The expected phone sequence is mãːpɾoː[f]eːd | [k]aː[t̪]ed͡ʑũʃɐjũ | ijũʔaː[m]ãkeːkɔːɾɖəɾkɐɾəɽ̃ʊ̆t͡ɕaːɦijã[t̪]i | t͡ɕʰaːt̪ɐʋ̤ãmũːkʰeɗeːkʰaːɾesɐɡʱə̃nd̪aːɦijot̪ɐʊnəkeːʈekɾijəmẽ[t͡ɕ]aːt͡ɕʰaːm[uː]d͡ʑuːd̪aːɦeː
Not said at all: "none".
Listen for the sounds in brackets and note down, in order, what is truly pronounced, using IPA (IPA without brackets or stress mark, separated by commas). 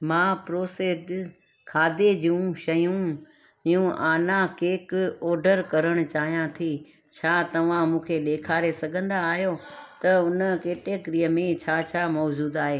s, kʰ, d̪, n, t̪ʰ, t͡ɕʰ, ɔː